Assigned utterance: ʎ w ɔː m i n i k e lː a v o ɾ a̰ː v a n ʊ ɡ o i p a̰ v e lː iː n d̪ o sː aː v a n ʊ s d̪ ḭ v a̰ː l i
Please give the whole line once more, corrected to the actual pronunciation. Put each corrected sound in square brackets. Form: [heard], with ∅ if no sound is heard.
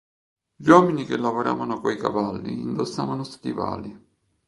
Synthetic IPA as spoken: ʎ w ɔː m i n i k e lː a v o ɾ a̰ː v a n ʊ [k] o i [k] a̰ v [a] lː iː n d̪ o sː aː v a n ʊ s [t̪] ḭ v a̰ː l i